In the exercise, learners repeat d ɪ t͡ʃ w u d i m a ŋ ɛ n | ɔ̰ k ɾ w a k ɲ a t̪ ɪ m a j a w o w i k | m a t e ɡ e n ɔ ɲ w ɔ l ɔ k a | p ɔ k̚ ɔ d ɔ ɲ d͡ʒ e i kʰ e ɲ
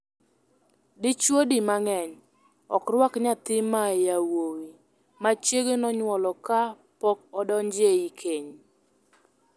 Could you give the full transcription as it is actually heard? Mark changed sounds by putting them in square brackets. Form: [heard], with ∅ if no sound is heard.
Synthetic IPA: d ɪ t͡ʃ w [o] d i m a ŋ ɛ [ɲ] | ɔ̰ k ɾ w a k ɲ a t̪ ɪ m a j a w o w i [∅] | m a [t͡ʃ] e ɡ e n ɔ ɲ w ɔ l ɔ k a | p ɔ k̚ ɔ d ɔ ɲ d͡ʒ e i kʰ e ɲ